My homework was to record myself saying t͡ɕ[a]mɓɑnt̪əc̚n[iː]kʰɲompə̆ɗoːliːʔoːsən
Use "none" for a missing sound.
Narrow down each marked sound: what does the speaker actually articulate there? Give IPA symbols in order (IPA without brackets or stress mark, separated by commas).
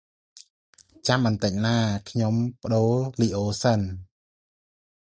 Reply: a, aː